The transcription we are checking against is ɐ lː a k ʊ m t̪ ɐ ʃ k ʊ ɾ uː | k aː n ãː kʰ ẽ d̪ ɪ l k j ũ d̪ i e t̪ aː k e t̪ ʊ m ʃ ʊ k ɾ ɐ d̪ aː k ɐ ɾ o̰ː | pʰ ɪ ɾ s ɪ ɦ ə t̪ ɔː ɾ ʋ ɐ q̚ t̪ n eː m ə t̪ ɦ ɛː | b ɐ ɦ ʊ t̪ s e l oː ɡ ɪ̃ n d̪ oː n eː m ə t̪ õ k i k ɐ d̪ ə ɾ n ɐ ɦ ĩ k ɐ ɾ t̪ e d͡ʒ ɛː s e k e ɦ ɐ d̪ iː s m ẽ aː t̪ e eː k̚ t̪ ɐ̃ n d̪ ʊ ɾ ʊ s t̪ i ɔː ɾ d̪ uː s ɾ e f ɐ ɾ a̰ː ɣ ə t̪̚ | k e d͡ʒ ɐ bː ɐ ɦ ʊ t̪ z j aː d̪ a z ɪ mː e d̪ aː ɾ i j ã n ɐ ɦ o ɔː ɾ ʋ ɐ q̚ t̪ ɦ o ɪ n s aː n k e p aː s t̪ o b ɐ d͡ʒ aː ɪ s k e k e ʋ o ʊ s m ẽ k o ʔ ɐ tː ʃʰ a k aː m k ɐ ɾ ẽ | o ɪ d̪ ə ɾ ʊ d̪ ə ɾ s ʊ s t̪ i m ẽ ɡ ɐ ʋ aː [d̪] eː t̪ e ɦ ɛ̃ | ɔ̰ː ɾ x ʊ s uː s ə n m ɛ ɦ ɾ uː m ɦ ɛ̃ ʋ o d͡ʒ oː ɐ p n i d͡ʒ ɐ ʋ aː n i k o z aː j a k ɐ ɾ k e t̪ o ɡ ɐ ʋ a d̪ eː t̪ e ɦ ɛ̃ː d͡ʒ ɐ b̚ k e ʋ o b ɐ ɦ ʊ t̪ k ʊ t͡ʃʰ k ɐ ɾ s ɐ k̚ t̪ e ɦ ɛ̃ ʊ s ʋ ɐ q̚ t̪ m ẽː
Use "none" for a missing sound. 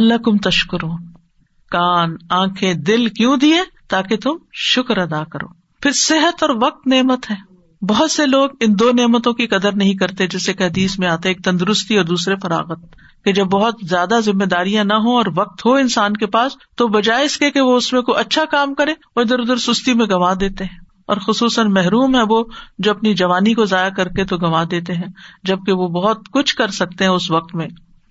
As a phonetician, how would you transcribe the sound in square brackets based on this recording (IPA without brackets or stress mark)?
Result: d̪